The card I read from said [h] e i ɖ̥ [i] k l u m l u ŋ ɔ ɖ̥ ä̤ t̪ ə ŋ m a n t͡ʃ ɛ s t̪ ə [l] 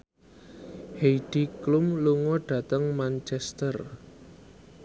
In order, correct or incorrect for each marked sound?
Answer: correct, correct, incorrect: r

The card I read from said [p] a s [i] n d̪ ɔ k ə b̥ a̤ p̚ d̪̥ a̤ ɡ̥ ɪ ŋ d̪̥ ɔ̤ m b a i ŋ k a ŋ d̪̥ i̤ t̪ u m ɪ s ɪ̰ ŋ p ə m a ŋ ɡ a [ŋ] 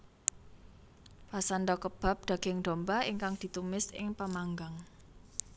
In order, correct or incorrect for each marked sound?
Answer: correct, incorrect: a, correct

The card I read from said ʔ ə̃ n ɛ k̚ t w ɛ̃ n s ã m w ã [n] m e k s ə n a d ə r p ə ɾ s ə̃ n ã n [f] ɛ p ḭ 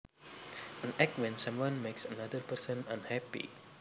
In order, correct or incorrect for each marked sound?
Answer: correct, incorrect: h

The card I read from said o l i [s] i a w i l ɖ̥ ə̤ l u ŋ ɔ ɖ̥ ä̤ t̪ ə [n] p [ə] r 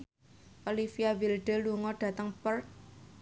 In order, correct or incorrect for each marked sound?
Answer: incorrect: f, incorrect: ŋ, correct

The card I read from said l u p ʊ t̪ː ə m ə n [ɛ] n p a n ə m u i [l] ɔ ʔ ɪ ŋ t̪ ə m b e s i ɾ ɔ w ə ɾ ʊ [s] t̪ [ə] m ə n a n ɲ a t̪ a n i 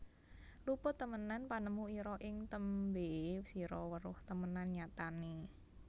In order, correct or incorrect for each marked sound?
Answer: incorrect: a, incorrect: ɾ, incorrect: h, correct

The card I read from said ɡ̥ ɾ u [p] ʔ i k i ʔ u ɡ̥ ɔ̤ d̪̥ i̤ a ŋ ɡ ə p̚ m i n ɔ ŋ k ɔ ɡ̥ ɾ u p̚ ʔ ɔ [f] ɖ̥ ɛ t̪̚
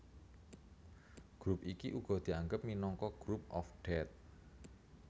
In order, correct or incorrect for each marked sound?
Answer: correct, correct

